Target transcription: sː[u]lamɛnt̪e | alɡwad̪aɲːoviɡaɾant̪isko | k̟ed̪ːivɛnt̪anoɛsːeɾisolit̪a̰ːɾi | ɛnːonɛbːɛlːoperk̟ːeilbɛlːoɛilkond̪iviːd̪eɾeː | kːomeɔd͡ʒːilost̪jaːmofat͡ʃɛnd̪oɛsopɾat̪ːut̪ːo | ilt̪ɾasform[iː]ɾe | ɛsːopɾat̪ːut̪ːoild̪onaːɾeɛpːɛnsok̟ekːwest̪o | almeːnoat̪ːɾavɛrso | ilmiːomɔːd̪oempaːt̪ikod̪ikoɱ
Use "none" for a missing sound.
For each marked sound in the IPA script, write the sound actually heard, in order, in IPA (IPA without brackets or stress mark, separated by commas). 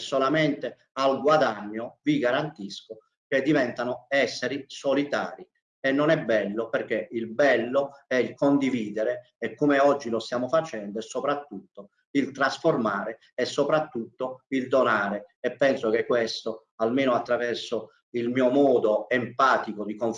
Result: o, aː